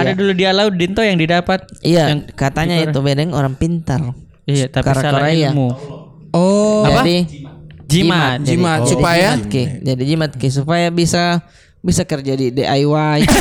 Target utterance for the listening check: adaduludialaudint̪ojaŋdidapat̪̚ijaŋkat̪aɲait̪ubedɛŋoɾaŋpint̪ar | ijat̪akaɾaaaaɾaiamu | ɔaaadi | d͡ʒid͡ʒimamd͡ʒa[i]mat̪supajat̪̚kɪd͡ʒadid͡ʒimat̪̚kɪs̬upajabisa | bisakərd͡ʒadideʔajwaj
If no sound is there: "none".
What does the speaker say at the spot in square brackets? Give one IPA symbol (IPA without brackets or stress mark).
i